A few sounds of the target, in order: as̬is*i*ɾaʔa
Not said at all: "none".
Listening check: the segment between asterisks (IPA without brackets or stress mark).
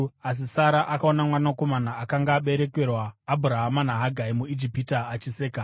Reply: a